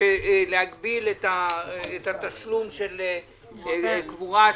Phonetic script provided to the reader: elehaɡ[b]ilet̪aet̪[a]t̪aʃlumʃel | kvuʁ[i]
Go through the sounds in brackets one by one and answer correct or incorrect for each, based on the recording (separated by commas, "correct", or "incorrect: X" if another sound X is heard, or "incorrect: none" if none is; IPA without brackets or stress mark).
correct, correct, incorrect: a